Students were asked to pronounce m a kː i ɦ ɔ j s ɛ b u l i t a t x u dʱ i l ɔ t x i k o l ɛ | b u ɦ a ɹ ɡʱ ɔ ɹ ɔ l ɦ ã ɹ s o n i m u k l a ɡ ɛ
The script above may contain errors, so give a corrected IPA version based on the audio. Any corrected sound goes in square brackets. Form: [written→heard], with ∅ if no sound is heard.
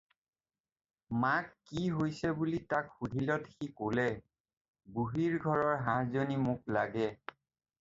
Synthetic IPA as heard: m a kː i ɦ [ɔ→o] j s ɛ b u l i t a [t→k] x u dʱ i l ɔ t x i k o l ɛ | b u ɦ [a→i] ɹ ɡʱ ɔ ɹ ɔ [l→ɹ] ɦ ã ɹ [s→z] o n i m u k l a ɡ ɛ